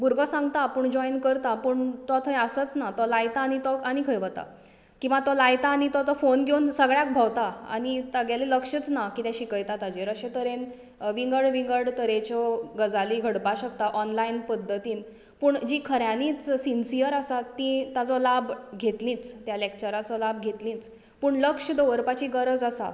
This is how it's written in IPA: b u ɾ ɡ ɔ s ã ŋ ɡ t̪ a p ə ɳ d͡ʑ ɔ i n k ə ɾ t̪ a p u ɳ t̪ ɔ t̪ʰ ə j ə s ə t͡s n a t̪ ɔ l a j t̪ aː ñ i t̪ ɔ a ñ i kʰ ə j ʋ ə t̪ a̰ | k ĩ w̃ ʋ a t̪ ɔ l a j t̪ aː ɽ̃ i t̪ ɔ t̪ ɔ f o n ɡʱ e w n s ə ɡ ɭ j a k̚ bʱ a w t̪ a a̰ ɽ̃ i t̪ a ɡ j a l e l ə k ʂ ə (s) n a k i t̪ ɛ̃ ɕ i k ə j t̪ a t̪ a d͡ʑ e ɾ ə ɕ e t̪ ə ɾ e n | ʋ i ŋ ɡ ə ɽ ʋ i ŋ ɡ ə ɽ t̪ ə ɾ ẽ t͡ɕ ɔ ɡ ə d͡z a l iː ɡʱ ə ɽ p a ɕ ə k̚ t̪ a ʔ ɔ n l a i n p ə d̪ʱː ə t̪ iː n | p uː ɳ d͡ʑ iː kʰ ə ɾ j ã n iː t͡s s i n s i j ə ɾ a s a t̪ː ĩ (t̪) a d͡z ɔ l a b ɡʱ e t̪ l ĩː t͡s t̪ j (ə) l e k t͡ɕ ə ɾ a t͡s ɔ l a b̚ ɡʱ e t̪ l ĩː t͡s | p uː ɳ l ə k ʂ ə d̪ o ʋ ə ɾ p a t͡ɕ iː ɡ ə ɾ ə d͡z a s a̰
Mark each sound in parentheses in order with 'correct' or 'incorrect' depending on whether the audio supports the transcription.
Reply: incorrect, correct, incorrect

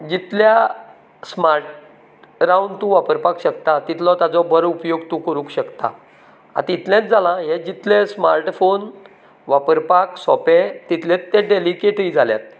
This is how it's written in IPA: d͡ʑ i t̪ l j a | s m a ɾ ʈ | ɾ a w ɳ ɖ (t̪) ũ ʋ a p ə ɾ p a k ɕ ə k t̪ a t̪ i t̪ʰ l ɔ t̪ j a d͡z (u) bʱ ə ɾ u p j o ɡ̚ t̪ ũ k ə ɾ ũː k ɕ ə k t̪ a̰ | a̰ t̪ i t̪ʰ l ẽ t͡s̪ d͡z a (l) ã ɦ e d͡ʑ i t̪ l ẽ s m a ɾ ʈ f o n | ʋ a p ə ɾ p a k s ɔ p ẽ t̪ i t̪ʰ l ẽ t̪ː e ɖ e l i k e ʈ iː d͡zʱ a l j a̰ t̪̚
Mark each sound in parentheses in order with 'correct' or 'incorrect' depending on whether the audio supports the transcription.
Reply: correct, incorrect, correct

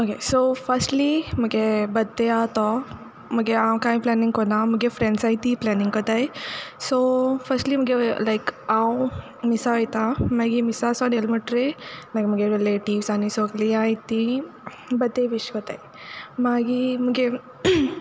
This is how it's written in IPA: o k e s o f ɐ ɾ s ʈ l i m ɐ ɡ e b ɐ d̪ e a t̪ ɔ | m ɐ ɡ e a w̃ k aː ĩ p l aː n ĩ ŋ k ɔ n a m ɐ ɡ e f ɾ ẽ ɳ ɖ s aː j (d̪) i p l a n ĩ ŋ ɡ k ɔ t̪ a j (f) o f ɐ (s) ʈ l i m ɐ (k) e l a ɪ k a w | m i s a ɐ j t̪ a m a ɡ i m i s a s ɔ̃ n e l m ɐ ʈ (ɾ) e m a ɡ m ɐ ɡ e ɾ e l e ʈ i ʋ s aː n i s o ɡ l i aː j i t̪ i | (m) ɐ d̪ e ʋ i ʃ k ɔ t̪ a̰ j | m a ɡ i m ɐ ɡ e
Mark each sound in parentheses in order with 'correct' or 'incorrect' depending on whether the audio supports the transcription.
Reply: incorrect, incorrect, correct, incorrect, correct, incorrect

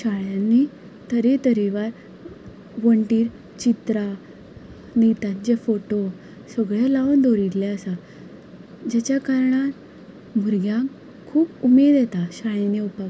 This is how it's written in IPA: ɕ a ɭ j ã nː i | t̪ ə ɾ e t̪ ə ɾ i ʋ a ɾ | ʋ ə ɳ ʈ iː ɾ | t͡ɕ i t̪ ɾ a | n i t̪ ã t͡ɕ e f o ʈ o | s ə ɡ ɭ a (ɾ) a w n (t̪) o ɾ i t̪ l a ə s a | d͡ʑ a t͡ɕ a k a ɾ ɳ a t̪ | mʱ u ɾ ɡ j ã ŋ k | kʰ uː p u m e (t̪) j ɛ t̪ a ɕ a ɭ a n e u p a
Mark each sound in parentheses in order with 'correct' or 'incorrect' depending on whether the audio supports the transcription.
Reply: incorrect, incorrect, incorrect

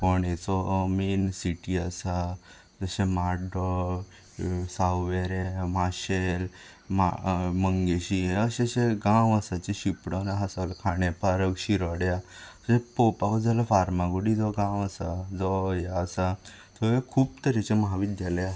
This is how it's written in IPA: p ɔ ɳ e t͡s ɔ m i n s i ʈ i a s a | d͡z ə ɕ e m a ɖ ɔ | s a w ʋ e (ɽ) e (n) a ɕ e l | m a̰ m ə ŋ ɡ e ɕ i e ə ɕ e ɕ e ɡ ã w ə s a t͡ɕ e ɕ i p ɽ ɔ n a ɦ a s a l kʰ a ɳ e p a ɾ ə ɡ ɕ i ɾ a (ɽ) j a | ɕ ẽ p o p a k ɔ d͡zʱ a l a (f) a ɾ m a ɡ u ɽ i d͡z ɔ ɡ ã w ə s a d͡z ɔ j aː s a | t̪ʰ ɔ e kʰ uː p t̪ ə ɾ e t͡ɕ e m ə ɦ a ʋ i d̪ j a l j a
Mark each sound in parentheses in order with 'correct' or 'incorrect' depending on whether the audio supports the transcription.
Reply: incorrect, incorrect, correct, correct

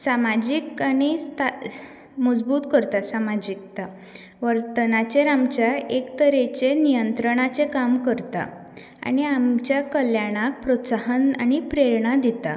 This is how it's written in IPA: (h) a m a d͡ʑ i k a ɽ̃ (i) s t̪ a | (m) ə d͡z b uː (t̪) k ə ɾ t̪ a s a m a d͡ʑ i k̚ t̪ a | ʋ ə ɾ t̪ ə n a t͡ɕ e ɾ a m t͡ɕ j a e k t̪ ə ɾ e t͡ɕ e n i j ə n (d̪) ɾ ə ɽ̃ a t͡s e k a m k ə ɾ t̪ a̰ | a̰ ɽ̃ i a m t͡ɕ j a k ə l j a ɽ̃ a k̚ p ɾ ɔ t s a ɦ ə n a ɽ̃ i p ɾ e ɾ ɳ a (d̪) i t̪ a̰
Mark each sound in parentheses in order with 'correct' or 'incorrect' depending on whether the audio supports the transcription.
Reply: incorrect, correct, correct, correct, incorrect, correct

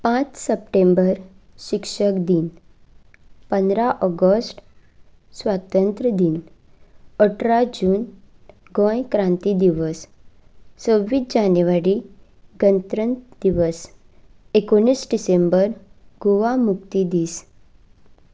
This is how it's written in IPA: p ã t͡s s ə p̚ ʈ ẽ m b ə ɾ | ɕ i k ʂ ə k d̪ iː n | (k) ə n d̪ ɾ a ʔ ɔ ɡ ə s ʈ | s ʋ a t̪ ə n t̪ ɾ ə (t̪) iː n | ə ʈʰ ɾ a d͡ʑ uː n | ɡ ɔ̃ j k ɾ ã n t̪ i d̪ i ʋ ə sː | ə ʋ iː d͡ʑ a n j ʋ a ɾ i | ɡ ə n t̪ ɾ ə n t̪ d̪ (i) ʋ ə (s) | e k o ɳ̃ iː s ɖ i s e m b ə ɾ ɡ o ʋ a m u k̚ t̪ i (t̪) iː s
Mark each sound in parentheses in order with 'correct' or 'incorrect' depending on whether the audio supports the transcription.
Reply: incorrect, incorrect, correct, correct, incorrect

